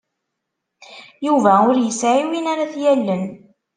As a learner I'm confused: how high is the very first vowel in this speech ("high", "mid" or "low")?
high